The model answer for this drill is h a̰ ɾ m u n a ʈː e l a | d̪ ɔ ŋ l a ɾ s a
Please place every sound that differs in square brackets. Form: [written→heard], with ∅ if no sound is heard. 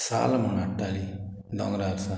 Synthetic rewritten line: [h→s] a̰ [ɾ→l] m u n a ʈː [e→a] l [a→i] | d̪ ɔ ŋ [l→ɾ] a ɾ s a